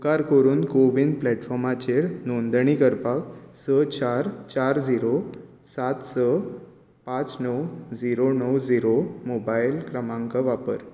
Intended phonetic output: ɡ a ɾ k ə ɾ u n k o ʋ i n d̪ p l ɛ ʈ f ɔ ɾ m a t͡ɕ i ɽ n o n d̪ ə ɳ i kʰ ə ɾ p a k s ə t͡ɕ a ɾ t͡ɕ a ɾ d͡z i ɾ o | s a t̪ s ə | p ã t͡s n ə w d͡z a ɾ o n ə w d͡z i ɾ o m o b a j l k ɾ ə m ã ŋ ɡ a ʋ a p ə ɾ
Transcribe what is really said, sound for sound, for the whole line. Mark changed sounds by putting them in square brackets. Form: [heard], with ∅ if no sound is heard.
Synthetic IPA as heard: [k] a ɾ k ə ɾ [uː] n k o ʋ i n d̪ p l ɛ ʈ f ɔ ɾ m a t͡ɕ [e] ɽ n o n d̪ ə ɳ i [k] ə ɾ p a k s ə t͡ɕ a ɾ t͡ɕ a ɾ d͡z i ɾ o | s a t̪ s ə | p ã t͡s n ə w d͡z [i] ɾ o n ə w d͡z i ɾ o m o b a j l k ɾ ə m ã ŋ [k] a ʋ a p ə ɾ